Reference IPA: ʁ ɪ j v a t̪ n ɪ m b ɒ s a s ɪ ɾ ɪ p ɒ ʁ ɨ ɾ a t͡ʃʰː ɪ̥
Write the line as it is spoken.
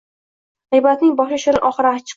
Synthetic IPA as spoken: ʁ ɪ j b a t̪ n ɪ ŋ b ɒ ʃ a ʃ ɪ ɾ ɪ ʔ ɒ χ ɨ ɾ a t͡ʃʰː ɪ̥

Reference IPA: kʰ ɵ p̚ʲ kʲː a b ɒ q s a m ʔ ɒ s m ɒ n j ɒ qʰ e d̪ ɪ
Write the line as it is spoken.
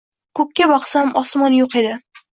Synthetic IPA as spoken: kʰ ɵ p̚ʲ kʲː a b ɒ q s a m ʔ ɒ s m ɒ n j o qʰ e d̪ ɪ

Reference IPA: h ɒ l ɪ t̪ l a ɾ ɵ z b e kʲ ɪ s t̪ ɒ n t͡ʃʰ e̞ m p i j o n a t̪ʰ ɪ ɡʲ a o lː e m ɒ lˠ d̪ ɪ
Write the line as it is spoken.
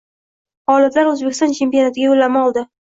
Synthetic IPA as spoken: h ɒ l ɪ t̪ l a ɾ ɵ z b e kʲ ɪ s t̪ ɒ n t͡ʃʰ e̞ m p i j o n a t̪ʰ ɪ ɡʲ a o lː a m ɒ lˠ d̪ ɪ

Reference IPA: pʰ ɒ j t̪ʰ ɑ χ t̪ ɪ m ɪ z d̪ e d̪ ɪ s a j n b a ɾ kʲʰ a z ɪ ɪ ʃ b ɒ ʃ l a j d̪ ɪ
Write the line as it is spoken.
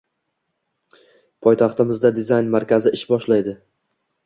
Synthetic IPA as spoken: pʰ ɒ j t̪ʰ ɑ χ t̪ ɪ m ɪ z d̪ a d̪ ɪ z a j n m a ɾ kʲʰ a z ɪ ɪ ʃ b ɒ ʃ l a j d̪ ɪ

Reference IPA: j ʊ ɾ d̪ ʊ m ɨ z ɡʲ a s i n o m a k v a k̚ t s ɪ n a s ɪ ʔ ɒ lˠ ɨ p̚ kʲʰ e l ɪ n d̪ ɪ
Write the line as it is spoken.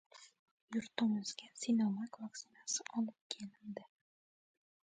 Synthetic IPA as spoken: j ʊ ɾ t̪ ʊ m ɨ z ɡʲ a s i n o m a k v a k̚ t s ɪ n a s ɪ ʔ ɒ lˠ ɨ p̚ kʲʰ e l ɪ n d̪ ɪ

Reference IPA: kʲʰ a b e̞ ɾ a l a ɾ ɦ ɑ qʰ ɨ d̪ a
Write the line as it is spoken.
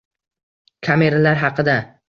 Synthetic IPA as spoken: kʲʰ a m e̞ ɾ a l a ɾ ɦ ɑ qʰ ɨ d̪ a

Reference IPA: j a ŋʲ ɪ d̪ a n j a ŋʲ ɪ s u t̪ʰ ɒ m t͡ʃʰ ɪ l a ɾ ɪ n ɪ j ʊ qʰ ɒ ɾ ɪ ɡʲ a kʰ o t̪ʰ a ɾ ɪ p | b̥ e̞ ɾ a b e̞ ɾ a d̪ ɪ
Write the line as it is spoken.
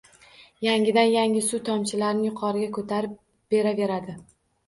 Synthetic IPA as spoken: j a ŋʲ ɪ d̪ a n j a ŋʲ ɪ s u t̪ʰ ɒ m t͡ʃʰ ɪ l a ɾ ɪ n ɪ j ʊ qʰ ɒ ɾ ɪ ɡʲ a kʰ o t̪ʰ a ɾ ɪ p | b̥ e̞ ɾ a v e̞ ɾ a d̪ ɪ

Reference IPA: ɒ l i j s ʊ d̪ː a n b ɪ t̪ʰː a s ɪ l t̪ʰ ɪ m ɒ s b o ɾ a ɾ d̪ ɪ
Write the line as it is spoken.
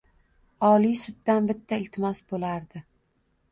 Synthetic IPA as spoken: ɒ l i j s ʊ d̪ː a n b ɪ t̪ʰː a ɪ l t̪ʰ ɪ m ɒ s b o l a ɾ d̪ ɪ

